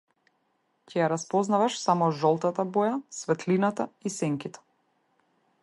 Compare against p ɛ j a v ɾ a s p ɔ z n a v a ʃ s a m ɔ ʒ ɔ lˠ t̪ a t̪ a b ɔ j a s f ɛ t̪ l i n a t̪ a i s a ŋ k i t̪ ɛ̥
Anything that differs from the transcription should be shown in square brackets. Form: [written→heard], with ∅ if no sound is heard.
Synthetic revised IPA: [p→c] ɛ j a [v→∅] ɾ a s p ɔ z n a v a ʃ s a m ɔ ʒ ɔ lˠ t̪ a t̪ a b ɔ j a s [f→v] ɛ t̪ l i n a t̪ a i s [a→ɛ] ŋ k i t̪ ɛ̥